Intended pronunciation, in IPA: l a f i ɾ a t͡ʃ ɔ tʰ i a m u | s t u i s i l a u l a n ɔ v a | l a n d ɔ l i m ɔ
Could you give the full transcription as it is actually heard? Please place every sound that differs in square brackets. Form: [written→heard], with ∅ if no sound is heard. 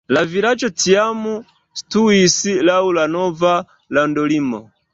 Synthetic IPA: l a [f→v] i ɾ a t͡ʃ ɔ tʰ i a m u | s t u i s i l a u l a n ɔ v a | l a n d ɔ l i m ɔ